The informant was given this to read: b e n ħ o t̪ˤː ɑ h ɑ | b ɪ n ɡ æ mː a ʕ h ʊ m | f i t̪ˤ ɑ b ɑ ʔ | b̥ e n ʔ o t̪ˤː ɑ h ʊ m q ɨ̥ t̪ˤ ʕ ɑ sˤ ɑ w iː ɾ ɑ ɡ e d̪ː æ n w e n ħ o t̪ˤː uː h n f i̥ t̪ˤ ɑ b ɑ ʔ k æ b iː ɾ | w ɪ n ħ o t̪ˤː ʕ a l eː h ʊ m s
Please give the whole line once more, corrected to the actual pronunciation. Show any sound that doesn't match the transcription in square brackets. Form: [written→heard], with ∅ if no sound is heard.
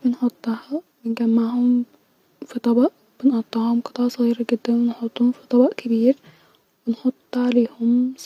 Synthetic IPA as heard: b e n ħ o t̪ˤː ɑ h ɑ | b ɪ n ɡ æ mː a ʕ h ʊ m | f i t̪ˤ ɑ b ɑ ʔ | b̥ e n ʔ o t̪ˤː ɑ h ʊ m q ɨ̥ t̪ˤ ʕ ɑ sˤ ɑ [w→ɣ] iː ɾ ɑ ɡ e d̪ː æ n w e n ħ o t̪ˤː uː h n f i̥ t̪ˤ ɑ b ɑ ʔ k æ b iː ɾ | w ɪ n ħ o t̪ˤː ʕ a l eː h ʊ m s